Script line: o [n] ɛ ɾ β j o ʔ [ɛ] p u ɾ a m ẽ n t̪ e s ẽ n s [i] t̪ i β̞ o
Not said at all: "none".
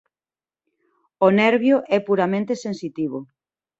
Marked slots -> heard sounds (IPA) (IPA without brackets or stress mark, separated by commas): n, ɛ, i